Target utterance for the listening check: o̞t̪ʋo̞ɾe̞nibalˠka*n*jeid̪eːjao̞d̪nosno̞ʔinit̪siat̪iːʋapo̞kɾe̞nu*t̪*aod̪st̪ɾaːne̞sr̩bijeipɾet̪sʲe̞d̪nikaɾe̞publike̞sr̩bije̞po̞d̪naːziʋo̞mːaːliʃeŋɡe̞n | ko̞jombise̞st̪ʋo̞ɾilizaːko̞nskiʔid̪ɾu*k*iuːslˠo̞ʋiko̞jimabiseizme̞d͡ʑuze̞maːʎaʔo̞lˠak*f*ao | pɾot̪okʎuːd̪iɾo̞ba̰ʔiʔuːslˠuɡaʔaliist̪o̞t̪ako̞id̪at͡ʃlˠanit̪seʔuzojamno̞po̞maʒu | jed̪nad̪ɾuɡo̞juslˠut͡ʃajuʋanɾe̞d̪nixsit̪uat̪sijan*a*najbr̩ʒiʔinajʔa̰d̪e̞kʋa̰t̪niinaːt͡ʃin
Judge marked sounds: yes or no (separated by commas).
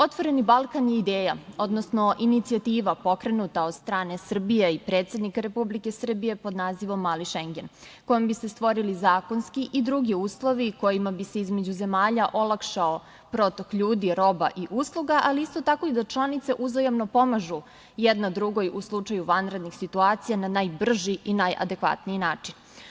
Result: yes, yes, no, no, yes